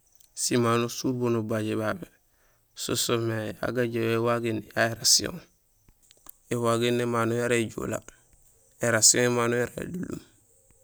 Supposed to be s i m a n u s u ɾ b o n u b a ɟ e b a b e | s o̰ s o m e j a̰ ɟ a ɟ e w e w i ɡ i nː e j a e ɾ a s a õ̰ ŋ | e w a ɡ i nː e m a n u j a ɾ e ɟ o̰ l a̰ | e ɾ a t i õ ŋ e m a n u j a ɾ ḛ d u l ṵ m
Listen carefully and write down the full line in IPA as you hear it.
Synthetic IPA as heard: s i m a n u s u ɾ b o n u b a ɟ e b a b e | s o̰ s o m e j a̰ ɡ a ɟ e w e w a ɡ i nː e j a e ɾ a s i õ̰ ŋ | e w a ɡ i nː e m a n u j a ɾ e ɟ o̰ l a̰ | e ɾ a s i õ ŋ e m a n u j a ɾ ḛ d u l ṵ m